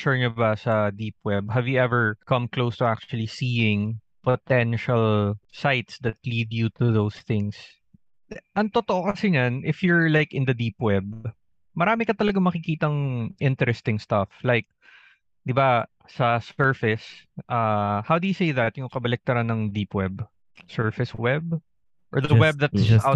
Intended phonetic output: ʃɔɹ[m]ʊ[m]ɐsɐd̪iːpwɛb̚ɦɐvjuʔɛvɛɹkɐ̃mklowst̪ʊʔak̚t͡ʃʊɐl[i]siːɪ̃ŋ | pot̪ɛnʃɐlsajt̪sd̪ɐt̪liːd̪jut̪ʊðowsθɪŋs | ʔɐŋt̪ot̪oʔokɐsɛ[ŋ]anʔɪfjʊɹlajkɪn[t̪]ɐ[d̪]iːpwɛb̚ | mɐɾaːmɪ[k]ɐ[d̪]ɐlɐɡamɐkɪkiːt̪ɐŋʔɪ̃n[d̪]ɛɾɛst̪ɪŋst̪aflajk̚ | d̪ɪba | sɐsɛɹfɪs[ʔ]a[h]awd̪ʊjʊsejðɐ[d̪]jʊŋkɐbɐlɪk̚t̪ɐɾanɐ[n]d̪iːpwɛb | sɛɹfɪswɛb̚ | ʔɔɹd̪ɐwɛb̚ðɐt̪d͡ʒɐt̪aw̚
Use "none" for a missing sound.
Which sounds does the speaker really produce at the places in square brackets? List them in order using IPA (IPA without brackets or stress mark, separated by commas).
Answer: ɲ, b, i, ɲ, d̪, d̪, k, t̪, t̪, ʔ, h, t̪, ŋ